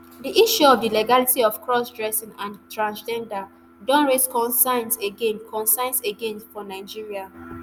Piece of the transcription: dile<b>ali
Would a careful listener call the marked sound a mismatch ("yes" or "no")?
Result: yes